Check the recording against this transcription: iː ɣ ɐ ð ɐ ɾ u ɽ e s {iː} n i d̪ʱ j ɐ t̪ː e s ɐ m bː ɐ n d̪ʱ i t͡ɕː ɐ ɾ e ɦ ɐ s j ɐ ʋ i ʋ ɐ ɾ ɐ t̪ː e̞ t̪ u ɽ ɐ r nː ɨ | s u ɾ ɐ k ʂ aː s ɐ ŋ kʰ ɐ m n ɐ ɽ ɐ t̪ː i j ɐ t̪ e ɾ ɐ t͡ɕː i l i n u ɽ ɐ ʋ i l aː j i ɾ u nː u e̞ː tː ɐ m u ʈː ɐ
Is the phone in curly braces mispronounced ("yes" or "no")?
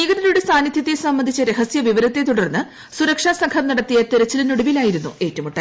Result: yes